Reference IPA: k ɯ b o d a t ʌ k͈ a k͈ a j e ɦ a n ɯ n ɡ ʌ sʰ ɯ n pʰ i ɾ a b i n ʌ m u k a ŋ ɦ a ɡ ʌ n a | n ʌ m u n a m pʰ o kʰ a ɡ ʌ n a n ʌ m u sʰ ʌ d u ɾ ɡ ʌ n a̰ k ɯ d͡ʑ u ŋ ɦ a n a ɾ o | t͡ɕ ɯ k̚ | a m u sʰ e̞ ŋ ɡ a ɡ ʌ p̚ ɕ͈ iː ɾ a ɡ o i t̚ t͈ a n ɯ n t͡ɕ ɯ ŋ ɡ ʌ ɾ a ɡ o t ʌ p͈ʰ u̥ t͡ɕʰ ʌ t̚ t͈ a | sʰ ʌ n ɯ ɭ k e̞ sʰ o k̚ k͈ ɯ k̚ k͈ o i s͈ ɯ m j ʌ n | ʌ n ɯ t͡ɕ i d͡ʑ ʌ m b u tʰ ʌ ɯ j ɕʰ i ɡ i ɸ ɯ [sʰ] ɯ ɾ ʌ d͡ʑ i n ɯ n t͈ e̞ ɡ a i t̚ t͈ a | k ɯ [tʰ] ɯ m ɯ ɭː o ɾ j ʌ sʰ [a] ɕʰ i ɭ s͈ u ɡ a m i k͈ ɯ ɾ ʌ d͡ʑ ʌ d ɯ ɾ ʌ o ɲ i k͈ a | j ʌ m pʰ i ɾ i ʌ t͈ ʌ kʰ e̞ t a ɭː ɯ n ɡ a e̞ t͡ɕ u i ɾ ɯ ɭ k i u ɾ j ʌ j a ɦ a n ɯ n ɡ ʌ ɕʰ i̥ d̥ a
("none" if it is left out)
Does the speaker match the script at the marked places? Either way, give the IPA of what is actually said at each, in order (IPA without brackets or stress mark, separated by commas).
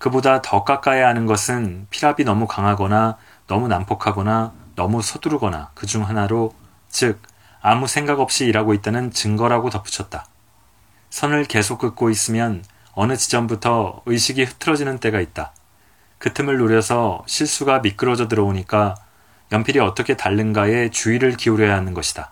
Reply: tʰ, tʰ, ʌ